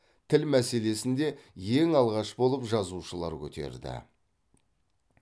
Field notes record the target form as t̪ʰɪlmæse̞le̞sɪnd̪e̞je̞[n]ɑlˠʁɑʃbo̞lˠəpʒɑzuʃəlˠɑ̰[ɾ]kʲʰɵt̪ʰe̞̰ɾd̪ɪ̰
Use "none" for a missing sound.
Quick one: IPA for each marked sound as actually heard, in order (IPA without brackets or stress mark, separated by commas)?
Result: ŋ, ɾ